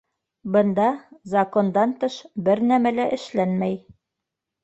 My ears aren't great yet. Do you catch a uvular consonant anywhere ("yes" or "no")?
no